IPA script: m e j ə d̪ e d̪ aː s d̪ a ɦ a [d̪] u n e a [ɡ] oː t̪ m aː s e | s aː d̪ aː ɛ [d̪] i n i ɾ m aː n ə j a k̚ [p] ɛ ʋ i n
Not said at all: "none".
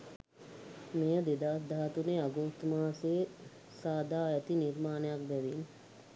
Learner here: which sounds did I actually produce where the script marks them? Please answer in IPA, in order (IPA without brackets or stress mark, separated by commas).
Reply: t̪, ɡ, t̪, b